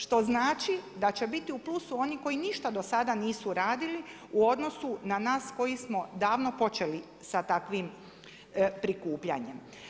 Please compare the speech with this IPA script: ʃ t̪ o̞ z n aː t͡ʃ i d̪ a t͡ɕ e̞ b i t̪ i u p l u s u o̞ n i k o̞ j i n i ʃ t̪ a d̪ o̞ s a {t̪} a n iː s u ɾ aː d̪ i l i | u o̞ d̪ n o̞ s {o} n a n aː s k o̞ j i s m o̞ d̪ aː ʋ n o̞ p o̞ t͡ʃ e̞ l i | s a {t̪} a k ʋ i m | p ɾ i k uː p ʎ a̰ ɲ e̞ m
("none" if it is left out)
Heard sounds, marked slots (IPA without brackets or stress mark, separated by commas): d̪, u, t̪